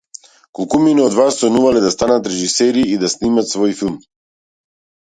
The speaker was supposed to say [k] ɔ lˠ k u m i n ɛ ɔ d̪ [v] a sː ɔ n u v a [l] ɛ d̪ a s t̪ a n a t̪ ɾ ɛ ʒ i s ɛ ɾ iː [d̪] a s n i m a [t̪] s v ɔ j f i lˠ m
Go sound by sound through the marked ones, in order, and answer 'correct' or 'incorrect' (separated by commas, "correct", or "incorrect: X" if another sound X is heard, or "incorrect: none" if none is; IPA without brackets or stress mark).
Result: correct, correct, correct, correct, correct